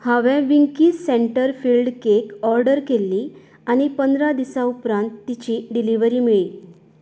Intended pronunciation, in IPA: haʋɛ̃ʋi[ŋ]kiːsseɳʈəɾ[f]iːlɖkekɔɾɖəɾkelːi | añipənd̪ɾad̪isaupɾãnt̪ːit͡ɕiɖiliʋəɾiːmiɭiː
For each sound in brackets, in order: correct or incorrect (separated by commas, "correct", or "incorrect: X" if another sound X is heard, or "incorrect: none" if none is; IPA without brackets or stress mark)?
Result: correct, correct